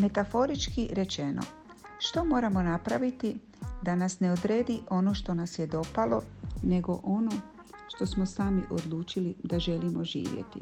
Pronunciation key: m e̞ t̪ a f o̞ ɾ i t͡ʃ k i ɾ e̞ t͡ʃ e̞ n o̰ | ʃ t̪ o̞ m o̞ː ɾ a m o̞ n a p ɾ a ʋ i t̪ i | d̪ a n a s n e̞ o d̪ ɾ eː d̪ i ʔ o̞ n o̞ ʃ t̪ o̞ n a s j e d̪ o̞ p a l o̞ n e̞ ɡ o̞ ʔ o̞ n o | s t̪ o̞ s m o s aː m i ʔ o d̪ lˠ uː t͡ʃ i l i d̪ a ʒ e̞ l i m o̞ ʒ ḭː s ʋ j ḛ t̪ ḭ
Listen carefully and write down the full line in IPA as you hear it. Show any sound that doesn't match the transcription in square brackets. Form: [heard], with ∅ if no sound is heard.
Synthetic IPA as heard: m e̞ t̪ a f o̞ ɾ i t͡ʃ k i ɾ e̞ t͡ʃ e̞ n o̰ | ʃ t̪ o̞ m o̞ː ɾ a m o̞ n a p ɾ a ʋ i t̪ i | d̪ a n a s n e̞ o d̪ ɾ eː d̪ i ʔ o̞ n o̞ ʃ t̪ o̞ n a s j e d̪ o̞ p a l o̞ n e̞ ɡ o̞ ʔ o̞ n o | [ʃ] t̪ o̞ s m o s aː m i ʔ o d̪ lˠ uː t͡ʃ i l i d̪ a ʒ e̞ l i m o̞ ʒ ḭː [∅] ʋ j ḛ t̪ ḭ